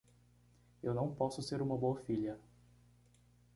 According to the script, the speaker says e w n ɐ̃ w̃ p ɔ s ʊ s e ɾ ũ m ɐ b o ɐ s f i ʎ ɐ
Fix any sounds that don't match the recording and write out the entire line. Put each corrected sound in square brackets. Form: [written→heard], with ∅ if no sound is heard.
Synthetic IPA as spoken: e w n ɐ̃ w̃ p ɔ s ʊ s e ɾ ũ m ɐ b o ɐ [s→∅] f i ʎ ɐ